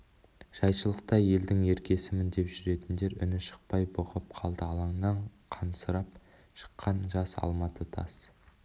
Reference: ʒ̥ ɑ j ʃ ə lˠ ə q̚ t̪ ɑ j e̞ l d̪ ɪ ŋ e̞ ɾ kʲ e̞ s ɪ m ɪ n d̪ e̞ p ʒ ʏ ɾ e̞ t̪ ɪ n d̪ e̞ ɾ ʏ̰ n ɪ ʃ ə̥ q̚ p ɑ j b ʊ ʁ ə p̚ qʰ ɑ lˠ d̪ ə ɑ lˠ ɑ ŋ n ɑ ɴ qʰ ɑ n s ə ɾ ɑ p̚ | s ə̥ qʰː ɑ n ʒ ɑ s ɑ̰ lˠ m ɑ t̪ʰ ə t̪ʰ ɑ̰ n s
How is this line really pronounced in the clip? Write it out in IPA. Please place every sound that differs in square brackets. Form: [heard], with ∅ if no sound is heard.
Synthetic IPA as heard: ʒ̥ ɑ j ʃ ə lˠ ə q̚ t̪ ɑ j e̞ l d̪ ɪ ŋ e̞ ɾ kʲ e̞ s ɪ m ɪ n d̪ e̞ p ʒ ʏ ɾ e̞ t̪ ɪ n d̪ e̞ ɾ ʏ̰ n ɪ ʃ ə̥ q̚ p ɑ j b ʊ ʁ ə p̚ qʰ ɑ lˠ d̪ ə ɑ lˠ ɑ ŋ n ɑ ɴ qʰ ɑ n s ə ɾ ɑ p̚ | [ʃ] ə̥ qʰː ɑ n ʒ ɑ s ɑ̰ lˠ m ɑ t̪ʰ ə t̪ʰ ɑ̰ [∅] s